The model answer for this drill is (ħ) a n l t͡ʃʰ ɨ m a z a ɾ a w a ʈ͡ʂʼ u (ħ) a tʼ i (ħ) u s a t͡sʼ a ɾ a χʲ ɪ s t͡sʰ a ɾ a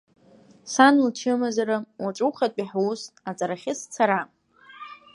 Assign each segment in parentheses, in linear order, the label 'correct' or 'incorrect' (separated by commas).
incorrect, incorrect, correct